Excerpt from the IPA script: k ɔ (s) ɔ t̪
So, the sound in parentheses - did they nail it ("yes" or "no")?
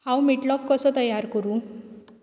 yes